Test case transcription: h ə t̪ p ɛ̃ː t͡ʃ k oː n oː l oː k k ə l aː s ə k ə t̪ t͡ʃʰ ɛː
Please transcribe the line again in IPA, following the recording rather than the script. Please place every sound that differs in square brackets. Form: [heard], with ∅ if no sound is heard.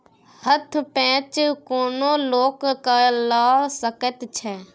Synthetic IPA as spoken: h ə [t̪ʰ] p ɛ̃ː t͡ʃ k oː n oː l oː k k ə l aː s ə k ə t̪ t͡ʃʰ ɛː